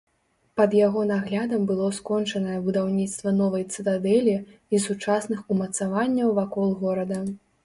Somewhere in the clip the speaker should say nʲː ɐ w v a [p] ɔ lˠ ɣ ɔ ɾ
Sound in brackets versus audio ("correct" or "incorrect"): incorrect